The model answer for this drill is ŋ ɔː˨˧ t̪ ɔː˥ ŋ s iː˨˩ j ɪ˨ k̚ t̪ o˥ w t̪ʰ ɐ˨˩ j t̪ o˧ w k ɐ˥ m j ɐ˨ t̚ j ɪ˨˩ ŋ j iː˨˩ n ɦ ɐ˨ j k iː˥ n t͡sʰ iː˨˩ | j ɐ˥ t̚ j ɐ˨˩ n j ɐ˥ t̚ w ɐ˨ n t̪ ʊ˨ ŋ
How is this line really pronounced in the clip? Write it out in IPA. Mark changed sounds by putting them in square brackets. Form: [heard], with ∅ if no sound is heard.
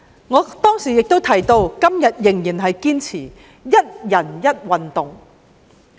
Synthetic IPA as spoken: ŋ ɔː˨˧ t̪ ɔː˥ ŋ s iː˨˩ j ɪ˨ k̚ t̪ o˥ w t̪ʰ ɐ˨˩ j t̪ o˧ w k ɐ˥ m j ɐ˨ t̚ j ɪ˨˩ ŋ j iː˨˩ n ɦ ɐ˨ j k iː˥ n t͡sʰ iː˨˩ | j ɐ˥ t̚ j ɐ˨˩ n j ɐ˥ t̚ w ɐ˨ n t̪ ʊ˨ ŋ